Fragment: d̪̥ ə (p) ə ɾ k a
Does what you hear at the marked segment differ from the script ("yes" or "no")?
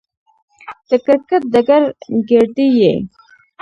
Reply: yes